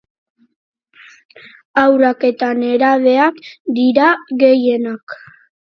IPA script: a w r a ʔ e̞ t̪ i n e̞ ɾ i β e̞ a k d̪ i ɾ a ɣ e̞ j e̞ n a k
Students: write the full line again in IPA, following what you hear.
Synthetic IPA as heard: a w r a k e̞ t̪ a n e̞ ɾ a β e̞ a k d̪ i ɾ a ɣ e̞ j e̞ n a k